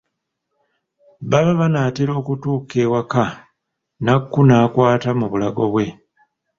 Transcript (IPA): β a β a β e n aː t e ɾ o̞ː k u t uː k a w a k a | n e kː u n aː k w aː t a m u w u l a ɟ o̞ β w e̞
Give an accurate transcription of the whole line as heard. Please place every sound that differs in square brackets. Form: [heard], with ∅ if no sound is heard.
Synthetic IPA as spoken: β a β a β [a] n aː t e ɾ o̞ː k u t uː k [e] w a k a | n [a] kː u n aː k w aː t a m u [β] u l a [ɡ] o̞ β w e̞